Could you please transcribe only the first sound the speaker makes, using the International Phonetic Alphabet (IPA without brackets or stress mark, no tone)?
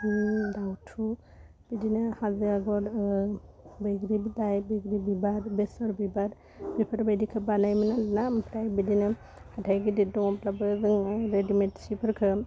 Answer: d